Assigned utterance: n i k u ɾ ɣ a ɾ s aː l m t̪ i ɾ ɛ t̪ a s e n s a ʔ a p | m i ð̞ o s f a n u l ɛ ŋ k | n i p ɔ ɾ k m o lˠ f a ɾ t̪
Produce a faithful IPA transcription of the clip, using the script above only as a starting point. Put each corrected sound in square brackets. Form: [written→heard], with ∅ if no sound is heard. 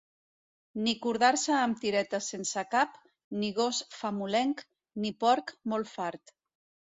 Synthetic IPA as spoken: n i k u ɾ [ɣ→ð] a ɾ s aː [l→∅] m t̪ i ɾ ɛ t̪ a s e n s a [ʔ→k] a p | [m→n] i [ð̞→ɣ̞] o s f a [n→m] u l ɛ ŋ k | n i p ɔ ɾ k m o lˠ f a ɾ t̪